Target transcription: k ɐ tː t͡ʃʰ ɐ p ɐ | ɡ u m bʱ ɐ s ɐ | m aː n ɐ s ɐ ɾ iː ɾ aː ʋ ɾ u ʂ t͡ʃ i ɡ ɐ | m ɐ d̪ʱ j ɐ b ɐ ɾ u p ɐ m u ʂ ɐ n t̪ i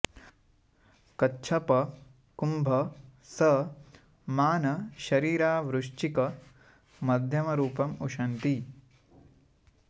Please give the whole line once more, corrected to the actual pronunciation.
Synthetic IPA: k ɐ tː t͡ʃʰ ɐ p ɐ | k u m bʱ ɐ s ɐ | m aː n ɐ ʃ ɐ ɾ iː ɾ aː ʋ ɾ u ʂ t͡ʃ i k ɐ | m ɐ d̪ʱ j ɐ m ɐ ɾ uː p ɐ m u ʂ ɐ n t̪ i

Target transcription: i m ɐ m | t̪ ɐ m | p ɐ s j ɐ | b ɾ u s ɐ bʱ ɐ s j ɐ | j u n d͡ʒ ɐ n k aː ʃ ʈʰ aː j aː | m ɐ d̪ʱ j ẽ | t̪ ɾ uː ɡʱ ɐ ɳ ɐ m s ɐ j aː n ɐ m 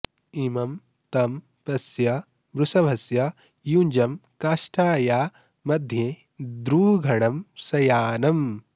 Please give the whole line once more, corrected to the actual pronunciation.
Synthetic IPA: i m ɐ m | t̪ ɐ m | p ɐ s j ɐ | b ɾ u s ɐ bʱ ɐ s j ɐ | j u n d͡ʒ ɐ m k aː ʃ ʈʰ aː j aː | m ɐ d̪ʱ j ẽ | d̪ ɾ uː ɡʱ ɐ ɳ ɐ m s ɐ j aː n ɐ m

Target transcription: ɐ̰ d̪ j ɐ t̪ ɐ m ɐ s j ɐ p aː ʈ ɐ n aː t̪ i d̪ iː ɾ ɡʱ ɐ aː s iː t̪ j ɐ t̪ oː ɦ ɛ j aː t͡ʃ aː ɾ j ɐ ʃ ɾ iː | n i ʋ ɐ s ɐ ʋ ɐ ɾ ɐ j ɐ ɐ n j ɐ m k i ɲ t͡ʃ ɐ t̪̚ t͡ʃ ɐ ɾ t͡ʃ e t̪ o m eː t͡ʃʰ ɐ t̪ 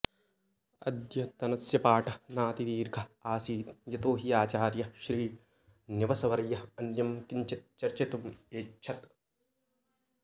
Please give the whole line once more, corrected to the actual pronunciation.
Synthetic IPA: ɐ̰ d̪ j ɐ t̪ ɐ n ɐ s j ɐ p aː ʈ ɐ n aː t̪ i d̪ iː ɾ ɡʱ ɐ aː s iː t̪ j ɐ t̪ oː ɦ i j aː t͡ʃ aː ɾ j ɐ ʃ ɾ iː | n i ʋ ɐ s ɐ ʋ ɐ ɾ ɐ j ɐ ɐ n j ɐ m k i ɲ t͡ʃ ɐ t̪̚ t͡ʃ ɐ ɾ t͡ʃ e t̪ u m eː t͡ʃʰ ɐ t̪

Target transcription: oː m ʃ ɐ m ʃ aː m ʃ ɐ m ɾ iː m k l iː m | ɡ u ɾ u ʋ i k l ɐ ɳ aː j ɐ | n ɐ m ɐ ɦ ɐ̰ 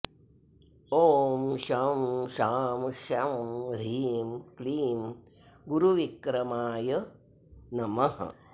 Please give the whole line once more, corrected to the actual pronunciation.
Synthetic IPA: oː m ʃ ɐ m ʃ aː m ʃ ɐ m ɾ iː m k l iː m | ɡ u ɾ u ʋ i k ɾ ɐ m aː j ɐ | n ɐ m ɐ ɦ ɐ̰

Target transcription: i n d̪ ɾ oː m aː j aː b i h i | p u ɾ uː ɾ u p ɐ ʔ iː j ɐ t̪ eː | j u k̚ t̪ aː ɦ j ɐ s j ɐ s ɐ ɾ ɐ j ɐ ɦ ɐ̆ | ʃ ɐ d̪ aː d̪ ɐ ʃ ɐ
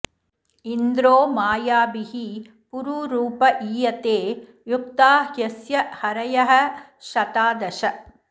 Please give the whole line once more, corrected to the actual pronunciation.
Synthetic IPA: i n d̪ ɾ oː m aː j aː b i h i | p u ɾ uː ɾ uː p ɐ ʔ iː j ɐ t̪ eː | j u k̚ t̪ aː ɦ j ɐ s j ɐ h ɐ ɾ ɐ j ɐ ɦ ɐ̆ | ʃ ɐ t̪ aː d̪ ɐ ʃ ɐ

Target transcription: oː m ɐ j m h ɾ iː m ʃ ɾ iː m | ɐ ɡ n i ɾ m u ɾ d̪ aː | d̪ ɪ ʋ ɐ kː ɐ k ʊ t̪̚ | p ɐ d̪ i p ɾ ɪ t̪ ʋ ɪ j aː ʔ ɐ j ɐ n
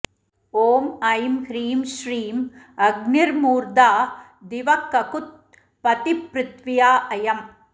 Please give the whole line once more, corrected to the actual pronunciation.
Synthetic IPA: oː m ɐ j m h ɾ iː m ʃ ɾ iː m | ɐ ɡ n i ɾ m uː ɾ d̪ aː | d̪ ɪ ʋ ɐ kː ɐ k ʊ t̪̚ | p ɐ t̪ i p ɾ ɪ t̪ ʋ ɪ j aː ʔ ɐ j ɐ m

